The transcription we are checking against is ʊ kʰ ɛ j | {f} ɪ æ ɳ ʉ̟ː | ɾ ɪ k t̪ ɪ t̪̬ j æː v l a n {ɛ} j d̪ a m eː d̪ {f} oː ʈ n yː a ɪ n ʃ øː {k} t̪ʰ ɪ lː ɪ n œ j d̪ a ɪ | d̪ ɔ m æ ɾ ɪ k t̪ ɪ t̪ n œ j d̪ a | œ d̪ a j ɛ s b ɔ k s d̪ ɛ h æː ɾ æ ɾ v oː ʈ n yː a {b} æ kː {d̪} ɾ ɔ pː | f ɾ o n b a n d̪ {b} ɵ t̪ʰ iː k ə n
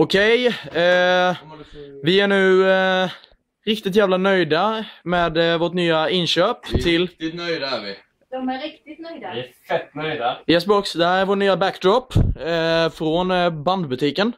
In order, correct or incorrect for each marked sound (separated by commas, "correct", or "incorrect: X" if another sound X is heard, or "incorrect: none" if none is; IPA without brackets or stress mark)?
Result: incorrect: v, incorrect: œ, incorrect: v, incorrect: p, correct, correct, correct